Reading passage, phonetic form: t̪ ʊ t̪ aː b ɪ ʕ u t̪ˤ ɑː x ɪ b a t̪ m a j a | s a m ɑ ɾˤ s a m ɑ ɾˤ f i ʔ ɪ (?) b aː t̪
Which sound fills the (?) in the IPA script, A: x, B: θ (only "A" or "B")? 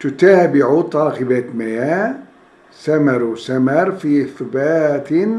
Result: B